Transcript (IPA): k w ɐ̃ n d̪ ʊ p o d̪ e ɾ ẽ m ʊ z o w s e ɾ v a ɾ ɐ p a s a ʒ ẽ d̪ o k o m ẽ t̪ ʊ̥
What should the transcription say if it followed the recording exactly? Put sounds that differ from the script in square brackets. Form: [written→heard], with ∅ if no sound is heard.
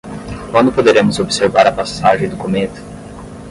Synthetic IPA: k w ɐ̃ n d̪ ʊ p o d̪ e ɾ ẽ m ʊ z o [w→b] s e ɾ v a ɾ ɐ p a s a ʒ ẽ d̪ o k o m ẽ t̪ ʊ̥